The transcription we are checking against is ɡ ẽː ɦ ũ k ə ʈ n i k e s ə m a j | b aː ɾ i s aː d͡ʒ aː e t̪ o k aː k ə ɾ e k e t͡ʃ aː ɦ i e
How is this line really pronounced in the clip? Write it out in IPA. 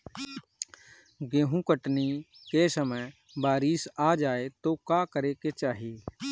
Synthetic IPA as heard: ɡ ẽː ɦ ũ k ə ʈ n i k e s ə m ə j | b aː ɾ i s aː d͡ʒ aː e t̪ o k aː k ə ɾ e k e t͡ʃ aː ɦ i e